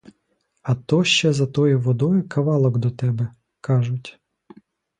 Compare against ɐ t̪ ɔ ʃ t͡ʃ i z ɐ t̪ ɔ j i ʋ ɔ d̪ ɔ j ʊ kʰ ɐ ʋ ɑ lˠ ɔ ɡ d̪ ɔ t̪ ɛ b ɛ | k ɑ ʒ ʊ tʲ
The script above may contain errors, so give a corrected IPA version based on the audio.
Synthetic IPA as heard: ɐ t̪ ɔ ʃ t͡ʃ ɛ z ɐ t̪ ɔ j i ʋ ɔ d̪ ɔ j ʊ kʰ ɐ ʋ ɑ lˠ ɔ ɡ d̪ ɔ t̪ ɛ b ɛ | k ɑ ʒ ʊ tʲ